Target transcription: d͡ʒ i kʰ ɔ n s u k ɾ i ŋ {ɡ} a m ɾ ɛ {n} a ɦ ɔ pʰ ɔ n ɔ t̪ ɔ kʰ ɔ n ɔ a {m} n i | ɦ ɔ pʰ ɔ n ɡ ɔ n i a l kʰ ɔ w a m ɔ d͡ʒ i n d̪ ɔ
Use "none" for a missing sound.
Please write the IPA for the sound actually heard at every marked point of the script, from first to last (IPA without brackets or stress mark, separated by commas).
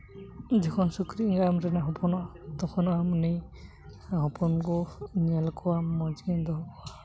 ɡ, n, m